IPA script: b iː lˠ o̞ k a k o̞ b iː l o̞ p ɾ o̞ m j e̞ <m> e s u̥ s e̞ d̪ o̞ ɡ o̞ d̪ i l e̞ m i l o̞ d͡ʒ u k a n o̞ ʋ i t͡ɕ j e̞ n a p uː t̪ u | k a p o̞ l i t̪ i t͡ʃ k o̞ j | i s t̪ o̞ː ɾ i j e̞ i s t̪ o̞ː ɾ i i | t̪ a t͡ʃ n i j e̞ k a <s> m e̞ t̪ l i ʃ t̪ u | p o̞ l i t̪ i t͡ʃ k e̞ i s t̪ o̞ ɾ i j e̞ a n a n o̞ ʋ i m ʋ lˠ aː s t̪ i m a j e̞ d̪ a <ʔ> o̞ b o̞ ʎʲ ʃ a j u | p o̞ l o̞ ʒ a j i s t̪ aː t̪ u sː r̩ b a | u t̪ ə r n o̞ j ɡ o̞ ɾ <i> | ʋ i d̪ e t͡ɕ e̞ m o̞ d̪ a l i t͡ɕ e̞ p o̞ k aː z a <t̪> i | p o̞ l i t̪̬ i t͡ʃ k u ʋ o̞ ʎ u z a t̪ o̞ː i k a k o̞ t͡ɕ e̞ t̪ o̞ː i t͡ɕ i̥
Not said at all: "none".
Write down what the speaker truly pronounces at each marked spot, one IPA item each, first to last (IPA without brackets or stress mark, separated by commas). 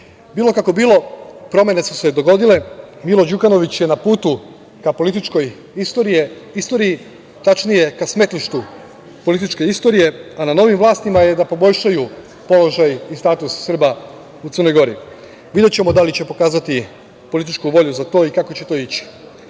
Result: n, s, p, i, t̪